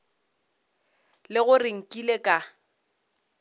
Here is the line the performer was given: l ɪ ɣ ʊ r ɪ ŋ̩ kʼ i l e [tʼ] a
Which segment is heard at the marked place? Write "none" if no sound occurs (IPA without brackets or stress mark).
kʼ